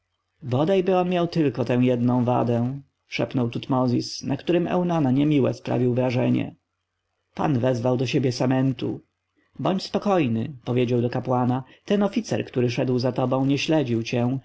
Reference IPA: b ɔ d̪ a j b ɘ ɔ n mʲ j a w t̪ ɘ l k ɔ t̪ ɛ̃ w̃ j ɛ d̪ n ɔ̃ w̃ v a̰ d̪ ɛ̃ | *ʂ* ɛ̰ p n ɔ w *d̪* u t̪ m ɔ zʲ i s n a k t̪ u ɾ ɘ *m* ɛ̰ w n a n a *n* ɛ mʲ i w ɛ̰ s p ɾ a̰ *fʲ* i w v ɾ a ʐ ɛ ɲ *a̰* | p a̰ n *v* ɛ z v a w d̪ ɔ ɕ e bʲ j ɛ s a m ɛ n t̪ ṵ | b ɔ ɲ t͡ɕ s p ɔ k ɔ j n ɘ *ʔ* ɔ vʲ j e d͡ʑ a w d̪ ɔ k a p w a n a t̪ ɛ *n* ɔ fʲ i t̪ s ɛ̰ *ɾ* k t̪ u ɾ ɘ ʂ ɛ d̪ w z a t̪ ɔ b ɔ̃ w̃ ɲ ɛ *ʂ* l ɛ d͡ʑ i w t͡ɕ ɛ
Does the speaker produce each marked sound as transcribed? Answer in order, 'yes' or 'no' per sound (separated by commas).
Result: yes, no, yes, no, no, no, yes, no, yes, yes, no